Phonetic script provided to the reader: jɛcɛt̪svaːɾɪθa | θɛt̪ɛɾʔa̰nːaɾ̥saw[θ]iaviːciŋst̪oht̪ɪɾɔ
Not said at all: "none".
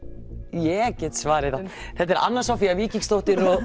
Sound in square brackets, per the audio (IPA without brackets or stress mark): f